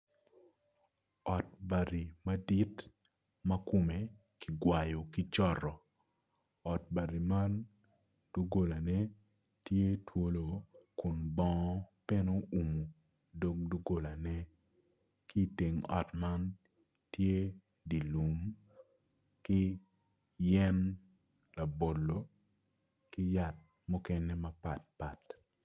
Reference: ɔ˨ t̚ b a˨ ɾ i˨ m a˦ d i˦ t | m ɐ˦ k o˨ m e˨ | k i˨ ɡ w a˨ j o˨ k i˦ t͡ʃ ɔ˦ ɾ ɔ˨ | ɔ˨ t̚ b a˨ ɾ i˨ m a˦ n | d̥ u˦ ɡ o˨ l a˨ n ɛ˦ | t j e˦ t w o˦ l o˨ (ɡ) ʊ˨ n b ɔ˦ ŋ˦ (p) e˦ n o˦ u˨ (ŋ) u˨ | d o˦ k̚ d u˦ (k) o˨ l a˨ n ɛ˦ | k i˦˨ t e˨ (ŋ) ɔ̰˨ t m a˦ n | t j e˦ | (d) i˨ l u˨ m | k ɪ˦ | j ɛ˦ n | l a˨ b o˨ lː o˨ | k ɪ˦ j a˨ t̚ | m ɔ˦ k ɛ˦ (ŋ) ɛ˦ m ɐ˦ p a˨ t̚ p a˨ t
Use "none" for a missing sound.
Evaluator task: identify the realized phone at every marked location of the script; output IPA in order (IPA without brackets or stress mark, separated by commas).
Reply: k, p, m, ɡ, ŋ, d, n